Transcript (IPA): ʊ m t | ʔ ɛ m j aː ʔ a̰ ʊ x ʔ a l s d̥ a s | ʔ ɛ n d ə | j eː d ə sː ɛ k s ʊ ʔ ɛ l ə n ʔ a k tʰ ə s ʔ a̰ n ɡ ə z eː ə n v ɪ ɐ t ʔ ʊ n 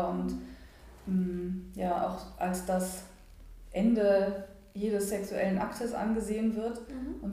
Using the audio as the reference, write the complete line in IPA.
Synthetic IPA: ʊ n t | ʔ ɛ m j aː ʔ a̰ ʊ x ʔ a l s d̥ a s | ʔ ɛ n d ə | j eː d ə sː ɛ k s u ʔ ɛ l ə n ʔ a k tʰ ə s ʔ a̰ n ɡ ə z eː ə n v ɪ ɐ t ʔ ʊ n